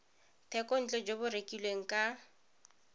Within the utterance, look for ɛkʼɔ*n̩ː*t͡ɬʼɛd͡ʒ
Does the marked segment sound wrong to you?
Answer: yes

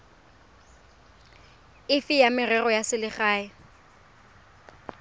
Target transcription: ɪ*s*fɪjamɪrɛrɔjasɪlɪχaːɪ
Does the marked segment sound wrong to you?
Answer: yes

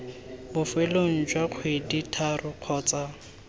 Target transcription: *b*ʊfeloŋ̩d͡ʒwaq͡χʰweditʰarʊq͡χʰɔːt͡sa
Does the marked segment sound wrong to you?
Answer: no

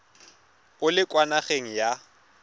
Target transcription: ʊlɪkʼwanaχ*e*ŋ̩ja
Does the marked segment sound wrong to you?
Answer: no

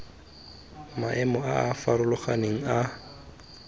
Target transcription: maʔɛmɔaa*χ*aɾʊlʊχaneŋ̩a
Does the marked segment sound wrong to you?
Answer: yes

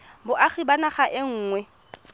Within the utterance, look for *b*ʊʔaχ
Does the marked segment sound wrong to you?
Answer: no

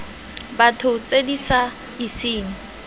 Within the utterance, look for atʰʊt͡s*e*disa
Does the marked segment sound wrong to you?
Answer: no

